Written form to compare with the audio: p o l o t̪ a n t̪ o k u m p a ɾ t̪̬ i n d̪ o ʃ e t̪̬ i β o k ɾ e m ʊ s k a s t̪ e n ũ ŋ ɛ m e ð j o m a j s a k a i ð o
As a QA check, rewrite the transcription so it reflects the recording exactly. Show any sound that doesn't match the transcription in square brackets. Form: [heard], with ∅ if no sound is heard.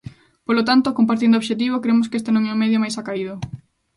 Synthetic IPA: p o l o t̪ a n t̪ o k [o] m p a ɾ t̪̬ i n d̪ o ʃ e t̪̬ i β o k ɾ e m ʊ s k [e] s t̪ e n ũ ŋ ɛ m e ð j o m a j s a k a i ð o